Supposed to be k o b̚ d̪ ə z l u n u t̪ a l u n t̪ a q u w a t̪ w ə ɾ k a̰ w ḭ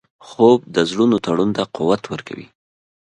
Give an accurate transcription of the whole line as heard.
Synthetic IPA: x o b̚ d̪ ə z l u n o t̪ a ɽ u n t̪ a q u w a t̪ w ə ɾ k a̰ w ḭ

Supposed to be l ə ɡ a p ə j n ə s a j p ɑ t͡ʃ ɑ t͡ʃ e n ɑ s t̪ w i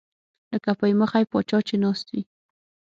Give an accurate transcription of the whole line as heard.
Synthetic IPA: l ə k a p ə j m ə x a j p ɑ t͡ʃ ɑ t͡ʃ e n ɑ s t̪ w i

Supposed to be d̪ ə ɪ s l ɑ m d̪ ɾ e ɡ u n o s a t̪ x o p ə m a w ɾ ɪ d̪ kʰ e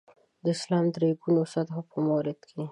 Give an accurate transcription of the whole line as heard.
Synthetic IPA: d̪ ə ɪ s l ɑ m d̪ ɾ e ɡ u n o s a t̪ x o p ə m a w ɾ ɪ d̪ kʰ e

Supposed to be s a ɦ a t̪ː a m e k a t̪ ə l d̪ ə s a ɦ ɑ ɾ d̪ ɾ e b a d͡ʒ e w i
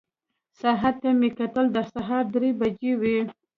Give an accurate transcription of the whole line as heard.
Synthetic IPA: s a ɦ a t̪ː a m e k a t̪ ə l d̪ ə s a ɦ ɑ ɾ d̪ ɾ e b a d͡ʒ e w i

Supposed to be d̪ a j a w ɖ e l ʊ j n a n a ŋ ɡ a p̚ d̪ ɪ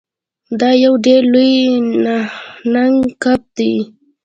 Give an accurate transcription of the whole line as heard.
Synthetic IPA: d̪ a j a w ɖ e l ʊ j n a n a ŋ k a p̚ t̪ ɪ

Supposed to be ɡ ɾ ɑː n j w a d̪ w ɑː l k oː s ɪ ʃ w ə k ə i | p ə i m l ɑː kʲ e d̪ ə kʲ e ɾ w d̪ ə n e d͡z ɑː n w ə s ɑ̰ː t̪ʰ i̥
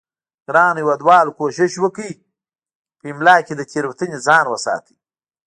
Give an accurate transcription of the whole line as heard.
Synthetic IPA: ɡ ɾ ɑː n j w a d̪ w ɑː l k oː ʃ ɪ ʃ w ə k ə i | p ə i m l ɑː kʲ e d̪ ə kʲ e ɾ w t̪ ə n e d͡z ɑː n w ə s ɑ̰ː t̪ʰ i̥

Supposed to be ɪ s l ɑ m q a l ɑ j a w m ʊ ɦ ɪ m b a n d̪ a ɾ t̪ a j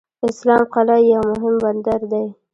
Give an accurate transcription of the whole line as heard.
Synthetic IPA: ɪ s l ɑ m q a l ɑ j a w m ʊ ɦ ɪ m b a n d̪ a ɾ d̪ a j

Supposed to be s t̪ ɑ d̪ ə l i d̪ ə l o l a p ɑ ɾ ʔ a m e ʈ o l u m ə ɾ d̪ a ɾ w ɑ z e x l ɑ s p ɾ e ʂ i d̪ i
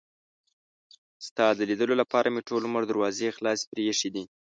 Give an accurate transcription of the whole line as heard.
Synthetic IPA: s t̪ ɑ d̪ ə l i d̪ ə l o l a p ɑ ɾ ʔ a m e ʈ o l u m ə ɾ d̪ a ɾ w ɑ z e x l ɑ s p ɾ e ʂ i d̪ i

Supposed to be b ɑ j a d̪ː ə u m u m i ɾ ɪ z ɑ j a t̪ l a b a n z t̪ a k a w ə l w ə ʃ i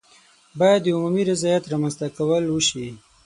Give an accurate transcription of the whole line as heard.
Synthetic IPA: b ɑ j a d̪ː ə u m u m i ɾ ɪ z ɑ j a t̪ ɾ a m a n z t̪ a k a w ə l w ə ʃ i

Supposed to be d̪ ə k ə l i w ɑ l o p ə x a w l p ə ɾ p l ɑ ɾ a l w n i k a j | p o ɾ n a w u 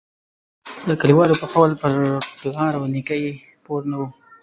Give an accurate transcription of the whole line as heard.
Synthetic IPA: d̪ ə k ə l i w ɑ l o p ə x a w l p ə ɾ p l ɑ ɾ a w n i k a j | p o ɾ n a w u

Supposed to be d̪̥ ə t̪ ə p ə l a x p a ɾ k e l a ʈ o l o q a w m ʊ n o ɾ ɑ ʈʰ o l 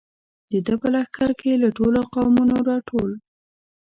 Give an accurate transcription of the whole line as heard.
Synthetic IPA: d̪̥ ə d̪ ə p ə l a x k a ɾ k e l a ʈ o l o q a w m u n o ɾ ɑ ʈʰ o l

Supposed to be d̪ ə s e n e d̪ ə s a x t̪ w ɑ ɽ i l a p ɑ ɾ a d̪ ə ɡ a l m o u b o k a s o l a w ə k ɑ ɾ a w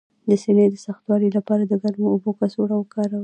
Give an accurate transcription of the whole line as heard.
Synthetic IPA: d̪ ə s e n e d̪ ə s a x t̪ w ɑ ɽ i l a p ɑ ɾ a d̪ ə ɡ a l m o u b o k a s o ɽ a w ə k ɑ ɾ a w

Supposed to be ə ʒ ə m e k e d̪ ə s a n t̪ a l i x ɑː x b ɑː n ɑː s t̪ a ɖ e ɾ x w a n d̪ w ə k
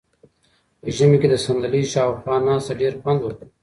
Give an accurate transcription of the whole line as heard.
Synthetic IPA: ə ʒ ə m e k e d̪ ə s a n d̪ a l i ʃ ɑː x w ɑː n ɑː s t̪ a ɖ e ɾ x w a n d̪ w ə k

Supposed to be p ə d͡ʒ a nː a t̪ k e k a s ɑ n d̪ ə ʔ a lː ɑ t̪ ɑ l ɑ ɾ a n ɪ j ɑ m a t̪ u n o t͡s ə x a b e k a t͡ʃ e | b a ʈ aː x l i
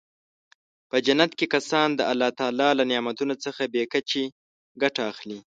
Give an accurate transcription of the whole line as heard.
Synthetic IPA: p ə d͡ʒ a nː a t̪ k e k a s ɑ n d̪ ə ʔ a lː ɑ t̪ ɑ l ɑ l a n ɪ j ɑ m a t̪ u n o t͡s ə x a b e k a t͡ʃ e | ɡ a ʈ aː x l i

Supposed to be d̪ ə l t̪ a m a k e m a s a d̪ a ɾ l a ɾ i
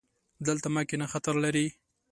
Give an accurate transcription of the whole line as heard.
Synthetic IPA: d̪ ə l t̪ a m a k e n a x a t̪ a ɾ l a ɾ i

